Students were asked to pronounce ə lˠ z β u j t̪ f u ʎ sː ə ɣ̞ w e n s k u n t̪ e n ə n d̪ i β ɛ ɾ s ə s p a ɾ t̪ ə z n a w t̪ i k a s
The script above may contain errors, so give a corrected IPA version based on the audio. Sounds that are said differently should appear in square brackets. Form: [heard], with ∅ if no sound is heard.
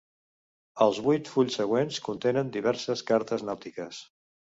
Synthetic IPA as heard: ə lˠ z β u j t̪ f u ʎ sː ə ɣ̞ w e n s k u n t̪ e n ə n d̪ i β ɛ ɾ s ə s [k] a ɾ t̪ ə z n a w t̪ i k [ə] s